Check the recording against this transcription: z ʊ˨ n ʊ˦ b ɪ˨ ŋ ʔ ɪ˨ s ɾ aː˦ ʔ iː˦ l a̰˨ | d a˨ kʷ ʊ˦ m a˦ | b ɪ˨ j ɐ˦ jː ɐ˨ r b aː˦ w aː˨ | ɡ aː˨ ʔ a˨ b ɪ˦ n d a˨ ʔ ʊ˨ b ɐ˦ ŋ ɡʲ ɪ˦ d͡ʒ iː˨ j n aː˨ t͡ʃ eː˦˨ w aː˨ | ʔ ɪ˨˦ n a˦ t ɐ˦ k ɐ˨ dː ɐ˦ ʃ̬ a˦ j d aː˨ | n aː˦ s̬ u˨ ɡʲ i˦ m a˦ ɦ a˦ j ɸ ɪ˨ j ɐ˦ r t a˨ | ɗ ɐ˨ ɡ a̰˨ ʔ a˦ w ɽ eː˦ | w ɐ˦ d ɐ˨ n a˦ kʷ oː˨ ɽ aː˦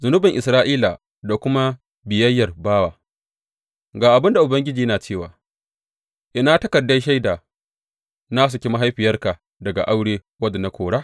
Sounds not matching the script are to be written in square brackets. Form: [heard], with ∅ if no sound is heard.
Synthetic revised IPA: z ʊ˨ n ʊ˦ b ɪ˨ ŋ ʔ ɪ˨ s ɾ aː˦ ʔ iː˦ l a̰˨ | d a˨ kʷ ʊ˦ m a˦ | b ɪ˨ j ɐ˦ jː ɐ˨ r b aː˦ w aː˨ | ɡ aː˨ ʔ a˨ b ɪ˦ n d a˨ ʔ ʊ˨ b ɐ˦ ŋ ɡʲ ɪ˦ d͡ʒ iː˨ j n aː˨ t͡ʃ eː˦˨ w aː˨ | ʔ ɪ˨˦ n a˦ t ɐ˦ k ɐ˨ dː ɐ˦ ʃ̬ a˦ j d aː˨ | n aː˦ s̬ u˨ [kʲ] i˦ m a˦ ɦ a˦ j ɸ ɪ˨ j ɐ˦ r [k] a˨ | [d] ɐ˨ ɡ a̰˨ ʔ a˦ w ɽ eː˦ | w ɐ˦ d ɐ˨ n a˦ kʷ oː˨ ɽ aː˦

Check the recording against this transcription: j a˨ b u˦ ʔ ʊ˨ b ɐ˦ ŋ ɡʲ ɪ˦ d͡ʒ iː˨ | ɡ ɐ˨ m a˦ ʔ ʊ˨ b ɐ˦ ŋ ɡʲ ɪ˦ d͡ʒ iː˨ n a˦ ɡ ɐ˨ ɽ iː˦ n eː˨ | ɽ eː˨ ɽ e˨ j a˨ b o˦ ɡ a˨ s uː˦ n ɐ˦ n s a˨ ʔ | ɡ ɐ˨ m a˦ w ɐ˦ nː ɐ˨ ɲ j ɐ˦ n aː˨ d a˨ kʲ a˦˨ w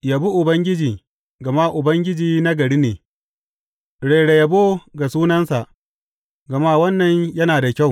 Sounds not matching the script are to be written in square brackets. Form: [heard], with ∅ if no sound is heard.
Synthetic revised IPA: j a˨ b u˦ ʔ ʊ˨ b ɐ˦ ŋ ɡʲ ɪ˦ d͡ʒ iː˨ | ɡ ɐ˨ m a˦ ʔ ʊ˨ b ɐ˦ ŋ ɡʲ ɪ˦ d͡ʒ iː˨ n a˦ ɡ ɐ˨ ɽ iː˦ n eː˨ | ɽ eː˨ ɽ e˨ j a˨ b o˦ ɡ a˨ s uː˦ n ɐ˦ n s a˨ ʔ | ɡ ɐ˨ m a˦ w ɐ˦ nː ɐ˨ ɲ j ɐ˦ n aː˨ d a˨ kʲ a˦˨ w

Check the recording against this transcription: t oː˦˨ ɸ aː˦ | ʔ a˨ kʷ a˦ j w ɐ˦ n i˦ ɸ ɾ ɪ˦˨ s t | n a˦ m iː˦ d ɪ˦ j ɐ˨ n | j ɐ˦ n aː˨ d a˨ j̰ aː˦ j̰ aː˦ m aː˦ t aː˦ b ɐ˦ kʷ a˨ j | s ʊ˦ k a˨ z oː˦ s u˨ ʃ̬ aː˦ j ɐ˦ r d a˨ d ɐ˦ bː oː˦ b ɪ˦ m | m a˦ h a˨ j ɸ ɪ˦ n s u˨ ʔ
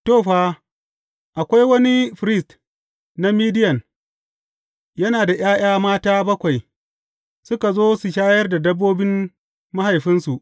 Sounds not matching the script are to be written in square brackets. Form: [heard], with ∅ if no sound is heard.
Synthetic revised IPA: t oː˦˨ ɸ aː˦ | ʔ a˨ kʷ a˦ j w ɐ˦ n i˦ ɸ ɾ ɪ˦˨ s t | n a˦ m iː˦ d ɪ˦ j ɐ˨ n | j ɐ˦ n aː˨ d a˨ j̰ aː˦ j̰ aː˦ m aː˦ t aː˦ b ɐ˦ kʷ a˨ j | s ʊ˦ k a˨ z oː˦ s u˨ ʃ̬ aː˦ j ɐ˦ r d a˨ d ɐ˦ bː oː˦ b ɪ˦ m | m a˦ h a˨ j ɸ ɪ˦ n s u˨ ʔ

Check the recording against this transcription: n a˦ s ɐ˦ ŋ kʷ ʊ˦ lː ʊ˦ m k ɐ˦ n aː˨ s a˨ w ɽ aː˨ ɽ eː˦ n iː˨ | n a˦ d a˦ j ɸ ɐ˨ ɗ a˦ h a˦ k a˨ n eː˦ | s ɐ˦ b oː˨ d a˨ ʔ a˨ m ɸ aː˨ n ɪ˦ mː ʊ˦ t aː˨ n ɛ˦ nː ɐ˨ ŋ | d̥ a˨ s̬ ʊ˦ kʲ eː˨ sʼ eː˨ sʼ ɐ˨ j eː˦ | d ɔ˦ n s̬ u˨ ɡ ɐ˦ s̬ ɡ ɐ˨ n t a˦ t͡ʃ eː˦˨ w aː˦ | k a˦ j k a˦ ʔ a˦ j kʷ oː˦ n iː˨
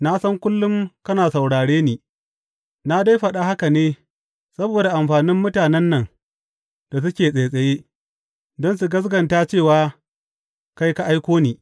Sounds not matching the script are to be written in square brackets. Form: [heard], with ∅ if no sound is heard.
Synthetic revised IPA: n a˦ s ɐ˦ ŋ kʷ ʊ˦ lː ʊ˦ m k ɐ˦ n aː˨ s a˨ w ɽ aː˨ ɽ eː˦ n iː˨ | n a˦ d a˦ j ɸ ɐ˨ ɗ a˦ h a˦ k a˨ n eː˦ | s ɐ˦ b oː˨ d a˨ ʔ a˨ m ɸ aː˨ n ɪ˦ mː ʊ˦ t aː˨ n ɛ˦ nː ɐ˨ ŋ | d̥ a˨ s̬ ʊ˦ kʲ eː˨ sʼ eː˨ sʼ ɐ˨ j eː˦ | d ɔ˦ n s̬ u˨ ɡ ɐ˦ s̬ ɡ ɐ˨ n t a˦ t͡ʃ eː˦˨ w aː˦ | k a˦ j k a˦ ʔ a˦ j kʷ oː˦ n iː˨

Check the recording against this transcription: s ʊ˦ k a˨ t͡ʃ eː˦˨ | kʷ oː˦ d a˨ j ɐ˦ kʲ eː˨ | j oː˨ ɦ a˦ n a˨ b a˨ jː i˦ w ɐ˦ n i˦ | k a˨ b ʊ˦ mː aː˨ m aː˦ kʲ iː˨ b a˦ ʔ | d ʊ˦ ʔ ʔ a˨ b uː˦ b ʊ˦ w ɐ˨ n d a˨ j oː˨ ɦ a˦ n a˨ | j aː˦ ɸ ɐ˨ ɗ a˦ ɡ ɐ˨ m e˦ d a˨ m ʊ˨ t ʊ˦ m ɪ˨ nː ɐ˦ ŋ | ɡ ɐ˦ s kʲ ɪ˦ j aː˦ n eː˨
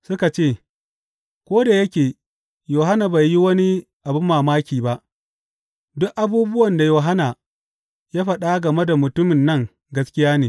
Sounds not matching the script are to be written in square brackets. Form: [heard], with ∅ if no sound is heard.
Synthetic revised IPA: s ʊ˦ k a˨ t͡ʃ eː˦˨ | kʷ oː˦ d a˨ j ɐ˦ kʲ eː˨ | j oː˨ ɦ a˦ n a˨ b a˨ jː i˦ w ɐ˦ n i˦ | [ʔ] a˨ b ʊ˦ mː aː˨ m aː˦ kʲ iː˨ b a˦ ʔ | d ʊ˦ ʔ ʔ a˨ b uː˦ b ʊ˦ w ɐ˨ n d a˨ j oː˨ ɦ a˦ n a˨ | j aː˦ ɸ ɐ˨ ɗ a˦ ɡ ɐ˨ m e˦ d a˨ m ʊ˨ t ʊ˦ m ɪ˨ nː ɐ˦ ŋ | ɡ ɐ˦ s kʲ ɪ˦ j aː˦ n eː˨

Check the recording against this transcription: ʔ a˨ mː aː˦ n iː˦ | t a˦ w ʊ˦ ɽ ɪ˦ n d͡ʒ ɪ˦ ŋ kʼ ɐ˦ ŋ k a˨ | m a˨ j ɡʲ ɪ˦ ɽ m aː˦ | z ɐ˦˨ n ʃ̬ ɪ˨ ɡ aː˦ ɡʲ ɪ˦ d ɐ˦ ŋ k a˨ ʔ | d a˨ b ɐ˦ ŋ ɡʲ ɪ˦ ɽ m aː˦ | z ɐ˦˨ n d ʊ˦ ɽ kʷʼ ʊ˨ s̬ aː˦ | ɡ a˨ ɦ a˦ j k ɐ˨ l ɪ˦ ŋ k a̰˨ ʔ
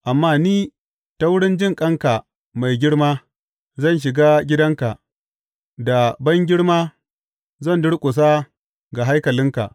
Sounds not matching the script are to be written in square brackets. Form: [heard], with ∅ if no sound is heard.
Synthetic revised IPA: ʔ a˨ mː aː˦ n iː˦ | t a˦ w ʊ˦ ɽ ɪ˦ n d͡ʒ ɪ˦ ŋ kʼ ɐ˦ ŋ k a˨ | m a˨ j ɡʲ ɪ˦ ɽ m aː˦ | z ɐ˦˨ n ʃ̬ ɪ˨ ɡ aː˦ ɡʲ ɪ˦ d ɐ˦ ŋ k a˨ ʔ | d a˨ b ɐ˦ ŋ ɡʲ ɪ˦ ɽ m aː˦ | z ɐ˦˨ n d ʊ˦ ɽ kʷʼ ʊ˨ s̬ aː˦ | ɡ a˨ ɦ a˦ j k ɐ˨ l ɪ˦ ŋ k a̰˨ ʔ

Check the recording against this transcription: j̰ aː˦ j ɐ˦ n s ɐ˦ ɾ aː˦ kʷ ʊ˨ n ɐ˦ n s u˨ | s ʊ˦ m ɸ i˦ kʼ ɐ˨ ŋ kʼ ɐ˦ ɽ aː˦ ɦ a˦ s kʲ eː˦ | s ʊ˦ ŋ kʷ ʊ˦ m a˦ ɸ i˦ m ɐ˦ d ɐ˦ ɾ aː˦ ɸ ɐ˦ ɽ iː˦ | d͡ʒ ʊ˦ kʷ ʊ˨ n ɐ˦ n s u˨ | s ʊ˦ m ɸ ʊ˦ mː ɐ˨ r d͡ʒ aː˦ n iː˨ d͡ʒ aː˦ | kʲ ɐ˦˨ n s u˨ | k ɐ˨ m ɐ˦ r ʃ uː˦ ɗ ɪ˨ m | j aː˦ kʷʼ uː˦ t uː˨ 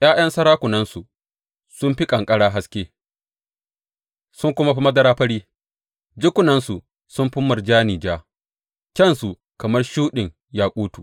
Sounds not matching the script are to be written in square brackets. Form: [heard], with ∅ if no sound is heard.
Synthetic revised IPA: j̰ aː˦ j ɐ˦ n s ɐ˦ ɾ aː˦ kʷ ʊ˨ n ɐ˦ n s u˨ | s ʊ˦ m ɸ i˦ kʼ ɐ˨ ŋ kʼ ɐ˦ ɽ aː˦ ɦ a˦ s kʲ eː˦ | s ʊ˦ ŋ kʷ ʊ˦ m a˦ ɸ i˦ m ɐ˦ d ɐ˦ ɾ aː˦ ɸ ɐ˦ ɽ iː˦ | d͡ʒ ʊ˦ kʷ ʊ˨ n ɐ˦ n s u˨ | s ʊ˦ m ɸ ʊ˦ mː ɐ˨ r d͡ʒ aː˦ n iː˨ d͡ʒ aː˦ | kʲ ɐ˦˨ n s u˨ | k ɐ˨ m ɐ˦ r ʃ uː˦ ɗ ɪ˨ [ŋ] | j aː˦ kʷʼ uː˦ t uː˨

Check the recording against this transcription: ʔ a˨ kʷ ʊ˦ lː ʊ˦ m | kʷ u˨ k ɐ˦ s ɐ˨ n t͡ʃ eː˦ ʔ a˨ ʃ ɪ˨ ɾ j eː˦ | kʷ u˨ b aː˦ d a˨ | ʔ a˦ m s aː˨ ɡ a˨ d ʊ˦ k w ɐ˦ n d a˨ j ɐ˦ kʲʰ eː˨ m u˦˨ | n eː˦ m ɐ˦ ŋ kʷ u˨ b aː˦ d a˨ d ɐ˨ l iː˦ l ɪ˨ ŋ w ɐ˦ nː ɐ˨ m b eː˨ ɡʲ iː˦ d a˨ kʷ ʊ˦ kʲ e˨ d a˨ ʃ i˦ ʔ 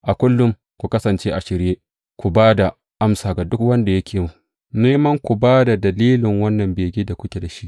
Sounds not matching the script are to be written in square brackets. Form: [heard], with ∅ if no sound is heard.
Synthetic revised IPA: ʔ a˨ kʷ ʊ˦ lː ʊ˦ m | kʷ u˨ k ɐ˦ s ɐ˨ n t͡ʃ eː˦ ʔ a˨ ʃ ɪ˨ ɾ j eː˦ | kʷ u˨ b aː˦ d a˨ | ʔ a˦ m s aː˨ ɡ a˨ d ʊ˦ k w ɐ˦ n d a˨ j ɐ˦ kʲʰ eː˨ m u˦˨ | n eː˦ m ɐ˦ ŋ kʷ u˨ b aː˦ d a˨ d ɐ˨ l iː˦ l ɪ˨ ŋ w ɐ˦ nː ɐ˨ m b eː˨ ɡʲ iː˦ d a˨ kʷ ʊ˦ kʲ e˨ d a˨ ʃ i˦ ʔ

